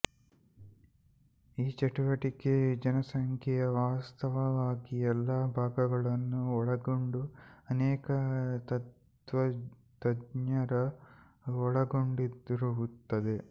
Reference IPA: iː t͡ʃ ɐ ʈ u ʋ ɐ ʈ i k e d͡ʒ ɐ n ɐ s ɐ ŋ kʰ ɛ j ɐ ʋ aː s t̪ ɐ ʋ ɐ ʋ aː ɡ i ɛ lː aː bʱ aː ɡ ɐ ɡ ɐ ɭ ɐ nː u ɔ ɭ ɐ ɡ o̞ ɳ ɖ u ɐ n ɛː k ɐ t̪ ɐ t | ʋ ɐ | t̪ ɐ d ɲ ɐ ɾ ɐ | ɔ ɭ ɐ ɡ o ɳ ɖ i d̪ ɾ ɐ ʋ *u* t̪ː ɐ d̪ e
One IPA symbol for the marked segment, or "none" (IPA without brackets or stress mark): u